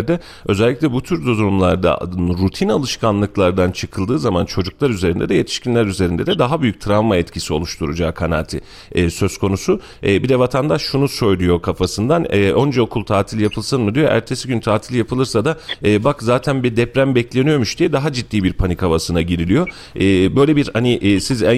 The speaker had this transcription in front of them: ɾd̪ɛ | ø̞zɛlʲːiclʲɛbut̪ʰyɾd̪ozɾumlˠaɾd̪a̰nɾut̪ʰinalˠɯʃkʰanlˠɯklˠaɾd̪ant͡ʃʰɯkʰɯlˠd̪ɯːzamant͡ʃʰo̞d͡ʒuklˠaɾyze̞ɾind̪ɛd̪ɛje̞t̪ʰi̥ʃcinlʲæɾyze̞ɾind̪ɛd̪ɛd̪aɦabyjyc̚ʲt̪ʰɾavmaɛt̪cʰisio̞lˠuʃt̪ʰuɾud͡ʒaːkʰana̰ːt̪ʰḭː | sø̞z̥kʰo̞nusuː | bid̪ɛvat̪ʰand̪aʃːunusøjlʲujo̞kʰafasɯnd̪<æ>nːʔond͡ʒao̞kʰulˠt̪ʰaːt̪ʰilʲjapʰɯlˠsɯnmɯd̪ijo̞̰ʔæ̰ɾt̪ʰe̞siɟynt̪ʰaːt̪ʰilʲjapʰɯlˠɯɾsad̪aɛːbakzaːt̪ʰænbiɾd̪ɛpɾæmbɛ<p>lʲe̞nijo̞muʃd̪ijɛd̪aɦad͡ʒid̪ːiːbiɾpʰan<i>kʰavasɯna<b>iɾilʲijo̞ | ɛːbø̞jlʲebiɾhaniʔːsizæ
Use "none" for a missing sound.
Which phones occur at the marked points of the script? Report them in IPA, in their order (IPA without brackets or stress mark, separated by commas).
a, c, i, ɟ